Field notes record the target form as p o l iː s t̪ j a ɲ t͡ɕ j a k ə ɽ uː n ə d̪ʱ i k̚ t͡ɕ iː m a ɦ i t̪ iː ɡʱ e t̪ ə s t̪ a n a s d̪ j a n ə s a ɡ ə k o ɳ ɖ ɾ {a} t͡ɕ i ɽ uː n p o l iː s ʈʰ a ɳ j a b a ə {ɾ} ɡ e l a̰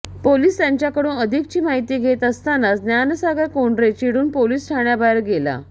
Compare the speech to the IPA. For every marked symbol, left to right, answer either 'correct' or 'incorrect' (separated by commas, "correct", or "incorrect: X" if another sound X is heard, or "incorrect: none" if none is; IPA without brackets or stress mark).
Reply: incorrect: e, correct